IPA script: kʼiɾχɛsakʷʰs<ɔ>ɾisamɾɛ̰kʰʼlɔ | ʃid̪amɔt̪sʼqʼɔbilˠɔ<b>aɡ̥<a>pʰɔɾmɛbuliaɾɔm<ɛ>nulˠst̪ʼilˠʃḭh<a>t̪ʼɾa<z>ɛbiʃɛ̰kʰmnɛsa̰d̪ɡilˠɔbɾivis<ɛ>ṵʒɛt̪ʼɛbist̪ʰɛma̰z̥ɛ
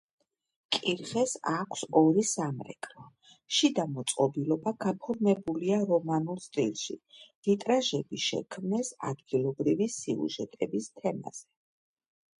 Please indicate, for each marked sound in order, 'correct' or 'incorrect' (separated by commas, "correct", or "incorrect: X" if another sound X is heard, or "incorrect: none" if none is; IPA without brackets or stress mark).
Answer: correct, correct, correct, incorrect: a, incorrect: i, incorrect: ʒ, incorrect: i